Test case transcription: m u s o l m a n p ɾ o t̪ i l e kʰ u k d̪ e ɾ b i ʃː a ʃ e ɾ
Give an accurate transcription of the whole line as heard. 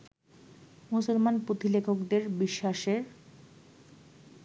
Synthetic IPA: m u s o l m a n p ɾ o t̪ i l e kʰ o k d̪ e ɾ b i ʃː a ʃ e ɾ